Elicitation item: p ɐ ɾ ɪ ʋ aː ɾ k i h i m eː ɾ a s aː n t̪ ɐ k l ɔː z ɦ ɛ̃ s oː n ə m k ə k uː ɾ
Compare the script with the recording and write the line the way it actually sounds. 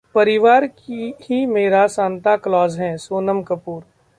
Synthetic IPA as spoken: p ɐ ɾ ɪ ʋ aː ɾ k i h i m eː ɾ a s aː n t̪ a k l ɔː z ɦ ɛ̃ s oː n ə m k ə p uː ɾ